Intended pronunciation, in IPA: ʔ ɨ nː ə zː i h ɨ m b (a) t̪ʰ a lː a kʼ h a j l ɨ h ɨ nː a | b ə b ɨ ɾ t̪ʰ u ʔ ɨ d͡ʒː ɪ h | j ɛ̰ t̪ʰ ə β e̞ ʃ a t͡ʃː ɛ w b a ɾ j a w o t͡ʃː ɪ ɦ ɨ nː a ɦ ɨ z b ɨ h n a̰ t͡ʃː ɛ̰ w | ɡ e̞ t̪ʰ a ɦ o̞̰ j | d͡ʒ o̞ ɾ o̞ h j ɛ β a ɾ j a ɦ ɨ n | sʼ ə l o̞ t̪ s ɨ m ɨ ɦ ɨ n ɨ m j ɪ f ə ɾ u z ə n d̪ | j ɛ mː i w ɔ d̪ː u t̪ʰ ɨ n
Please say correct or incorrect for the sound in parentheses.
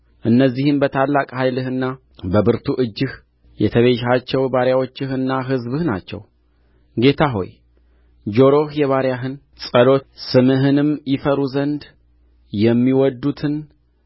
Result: incorrect